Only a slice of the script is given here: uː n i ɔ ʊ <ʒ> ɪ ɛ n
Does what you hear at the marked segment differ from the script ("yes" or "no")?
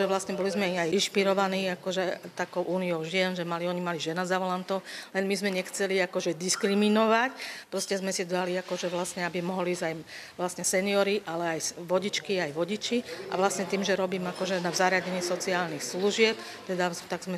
no